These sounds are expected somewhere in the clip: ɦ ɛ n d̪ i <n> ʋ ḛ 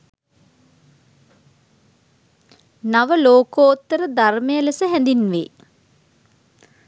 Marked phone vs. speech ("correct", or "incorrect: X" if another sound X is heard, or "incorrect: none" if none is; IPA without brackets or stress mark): correct